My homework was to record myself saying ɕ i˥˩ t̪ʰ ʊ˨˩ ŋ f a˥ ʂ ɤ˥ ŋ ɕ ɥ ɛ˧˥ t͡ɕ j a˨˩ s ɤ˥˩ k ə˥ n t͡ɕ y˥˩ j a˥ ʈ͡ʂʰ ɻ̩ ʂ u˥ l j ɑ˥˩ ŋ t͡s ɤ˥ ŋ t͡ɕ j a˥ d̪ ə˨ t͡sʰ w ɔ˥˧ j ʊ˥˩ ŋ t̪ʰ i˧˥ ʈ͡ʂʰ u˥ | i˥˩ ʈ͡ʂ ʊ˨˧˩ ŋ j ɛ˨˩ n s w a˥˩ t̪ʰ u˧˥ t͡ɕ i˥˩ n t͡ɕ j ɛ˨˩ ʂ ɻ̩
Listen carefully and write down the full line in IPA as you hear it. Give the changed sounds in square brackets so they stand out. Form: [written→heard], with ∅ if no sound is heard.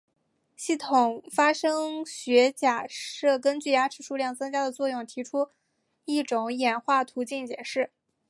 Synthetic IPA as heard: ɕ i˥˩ t̪ʰ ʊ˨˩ ŋ f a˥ ʂ ɤ˥ ŋ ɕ ɥ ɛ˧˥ t͡ɕ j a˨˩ [s→ʂ] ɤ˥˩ k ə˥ n t͡ɕ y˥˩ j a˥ ʈ͡ʂʰ ɻ̩ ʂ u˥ l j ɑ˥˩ ŋ t͡s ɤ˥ ŋ t͡ɕ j a˥ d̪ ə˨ [t͡sʰ→t͡s] w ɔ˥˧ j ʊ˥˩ ŋ t̪ʰ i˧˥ ʈ͡ʂʰ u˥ | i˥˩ ʈ͡ʂ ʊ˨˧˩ ŋ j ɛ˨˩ n [s→x] w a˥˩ t̪ʰ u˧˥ t͡ɕ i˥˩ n t͡ɕ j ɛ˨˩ ʂ ɻ̩